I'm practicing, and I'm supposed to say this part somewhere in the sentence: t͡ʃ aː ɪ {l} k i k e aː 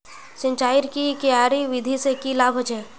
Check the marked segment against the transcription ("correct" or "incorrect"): incorrect